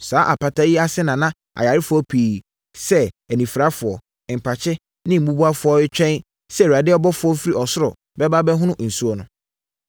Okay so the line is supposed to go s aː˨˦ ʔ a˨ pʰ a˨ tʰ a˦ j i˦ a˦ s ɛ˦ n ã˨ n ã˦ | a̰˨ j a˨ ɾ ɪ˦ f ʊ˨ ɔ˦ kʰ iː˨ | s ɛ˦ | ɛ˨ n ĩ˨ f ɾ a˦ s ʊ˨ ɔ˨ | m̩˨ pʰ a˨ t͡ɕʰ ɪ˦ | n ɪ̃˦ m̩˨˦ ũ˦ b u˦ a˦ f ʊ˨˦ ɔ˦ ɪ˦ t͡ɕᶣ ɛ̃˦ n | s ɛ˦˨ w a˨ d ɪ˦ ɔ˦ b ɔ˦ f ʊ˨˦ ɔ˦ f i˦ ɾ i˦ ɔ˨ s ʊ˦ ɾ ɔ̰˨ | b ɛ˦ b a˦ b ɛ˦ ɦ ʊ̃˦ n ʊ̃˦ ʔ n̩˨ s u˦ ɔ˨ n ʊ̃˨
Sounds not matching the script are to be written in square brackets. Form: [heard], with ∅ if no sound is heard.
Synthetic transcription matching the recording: s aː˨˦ ʔ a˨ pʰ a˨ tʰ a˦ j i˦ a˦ s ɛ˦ n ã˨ n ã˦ | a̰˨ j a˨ ɾ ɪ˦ f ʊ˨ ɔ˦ [pʰ] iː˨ | s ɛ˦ | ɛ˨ n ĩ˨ f ɾ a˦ [f] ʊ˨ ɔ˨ | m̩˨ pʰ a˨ t͡ɕʰ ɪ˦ | n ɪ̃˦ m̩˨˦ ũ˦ b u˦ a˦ f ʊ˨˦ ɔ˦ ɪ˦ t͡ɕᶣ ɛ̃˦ n | s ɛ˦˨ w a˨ d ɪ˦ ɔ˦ b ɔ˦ f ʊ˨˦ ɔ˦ f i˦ ɾ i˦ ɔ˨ s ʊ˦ ɾ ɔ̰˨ | b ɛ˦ b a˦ b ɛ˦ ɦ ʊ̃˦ n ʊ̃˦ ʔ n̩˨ s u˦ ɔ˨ n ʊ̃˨